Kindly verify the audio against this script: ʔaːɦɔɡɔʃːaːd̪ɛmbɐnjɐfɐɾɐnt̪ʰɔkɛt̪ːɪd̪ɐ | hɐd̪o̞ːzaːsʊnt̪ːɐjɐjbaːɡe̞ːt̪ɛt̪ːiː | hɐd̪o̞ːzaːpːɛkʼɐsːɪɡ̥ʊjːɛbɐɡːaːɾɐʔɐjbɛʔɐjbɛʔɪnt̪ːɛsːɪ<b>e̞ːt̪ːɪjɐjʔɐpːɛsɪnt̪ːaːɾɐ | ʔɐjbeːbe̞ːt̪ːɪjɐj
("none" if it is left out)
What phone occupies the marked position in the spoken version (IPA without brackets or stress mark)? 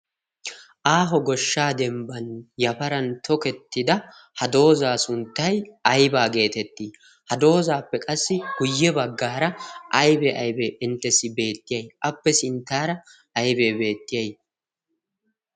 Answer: b